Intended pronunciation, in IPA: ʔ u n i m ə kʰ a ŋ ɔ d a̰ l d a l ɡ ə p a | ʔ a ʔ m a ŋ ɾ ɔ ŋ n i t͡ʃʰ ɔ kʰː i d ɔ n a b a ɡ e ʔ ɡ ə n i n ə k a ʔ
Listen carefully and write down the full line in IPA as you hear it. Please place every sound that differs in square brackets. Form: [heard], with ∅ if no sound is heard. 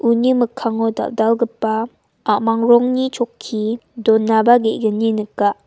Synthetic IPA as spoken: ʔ u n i m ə kʰ a ŋ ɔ d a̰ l d a l ɡ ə p a | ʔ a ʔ m a ŋ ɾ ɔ ŋ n i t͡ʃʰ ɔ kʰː i d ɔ n a b a ɡ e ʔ ɡ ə n i n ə k a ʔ